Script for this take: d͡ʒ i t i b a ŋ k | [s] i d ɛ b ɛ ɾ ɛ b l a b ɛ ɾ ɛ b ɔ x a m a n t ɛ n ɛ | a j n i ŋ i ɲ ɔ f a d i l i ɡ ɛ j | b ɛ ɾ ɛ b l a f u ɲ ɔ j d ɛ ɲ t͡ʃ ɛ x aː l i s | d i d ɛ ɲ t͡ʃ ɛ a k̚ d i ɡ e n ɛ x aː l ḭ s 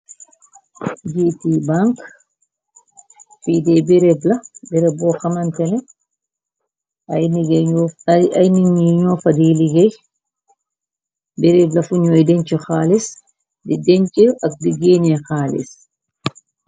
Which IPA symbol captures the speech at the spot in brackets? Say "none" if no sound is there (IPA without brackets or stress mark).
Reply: f